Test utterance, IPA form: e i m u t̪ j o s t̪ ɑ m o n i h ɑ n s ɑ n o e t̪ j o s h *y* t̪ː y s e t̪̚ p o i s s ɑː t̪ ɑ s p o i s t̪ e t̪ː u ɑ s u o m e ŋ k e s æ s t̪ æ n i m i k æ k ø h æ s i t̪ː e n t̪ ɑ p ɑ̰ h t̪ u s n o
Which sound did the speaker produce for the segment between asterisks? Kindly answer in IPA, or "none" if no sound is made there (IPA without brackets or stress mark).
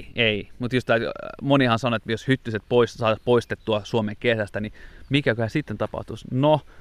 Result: y